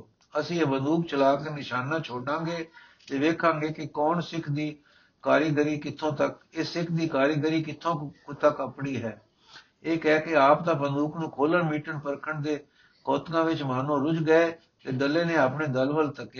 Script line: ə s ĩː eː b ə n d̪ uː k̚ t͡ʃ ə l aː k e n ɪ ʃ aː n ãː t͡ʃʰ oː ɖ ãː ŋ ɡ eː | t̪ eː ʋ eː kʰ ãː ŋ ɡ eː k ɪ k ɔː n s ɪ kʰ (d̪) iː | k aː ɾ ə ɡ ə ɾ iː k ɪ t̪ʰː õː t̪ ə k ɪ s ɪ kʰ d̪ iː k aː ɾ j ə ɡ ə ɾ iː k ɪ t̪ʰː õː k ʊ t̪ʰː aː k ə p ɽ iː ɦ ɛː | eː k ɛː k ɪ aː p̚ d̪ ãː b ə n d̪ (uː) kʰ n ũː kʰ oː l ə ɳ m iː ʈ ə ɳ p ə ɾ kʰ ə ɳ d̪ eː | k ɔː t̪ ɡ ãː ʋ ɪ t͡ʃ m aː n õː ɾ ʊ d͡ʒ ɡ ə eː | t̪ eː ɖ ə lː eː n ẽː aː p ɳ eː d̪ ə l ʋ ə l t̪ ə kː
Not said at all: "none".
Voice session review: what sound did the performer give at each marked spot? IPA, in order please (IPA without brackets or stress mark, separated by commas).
d̪, uː